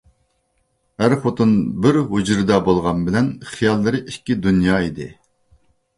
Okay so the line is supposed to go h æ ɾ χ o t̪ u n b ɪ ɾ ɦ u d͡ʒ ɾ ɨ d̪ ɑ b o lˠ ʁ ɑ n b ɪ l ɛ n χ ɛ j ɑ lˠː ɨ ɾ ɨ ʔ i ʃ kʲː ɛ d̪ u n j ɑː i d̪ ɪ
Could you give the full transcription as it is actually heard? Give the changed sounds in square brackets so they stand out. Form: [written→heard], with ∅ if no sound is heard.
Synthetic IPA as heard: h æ ɾ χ o t̪ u n b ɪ ɾ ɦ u d͡ʒ ɾ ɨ d̪ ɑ b o lˠ ʁ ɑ n b ɪ l ɛ n χ [ɛ→i] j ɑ lˠː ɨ ɾ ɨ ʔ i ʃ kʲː [ɛ→i] d̪ u n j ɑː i d̪ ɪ